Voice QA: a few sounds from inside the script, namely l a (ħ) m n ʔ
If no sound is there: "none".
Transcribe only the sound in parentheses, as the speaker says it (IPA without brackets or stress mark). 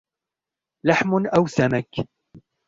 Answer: ħ